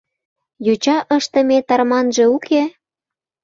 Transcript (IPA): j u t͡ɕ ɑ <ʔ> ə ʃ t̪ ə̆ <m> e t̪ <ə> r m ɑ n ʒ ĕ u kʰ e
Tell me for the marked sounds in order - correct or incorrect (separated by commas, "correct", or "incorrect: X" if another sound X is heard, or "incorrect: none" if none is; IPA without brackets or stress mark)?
correct, correct, incorrect: ɑ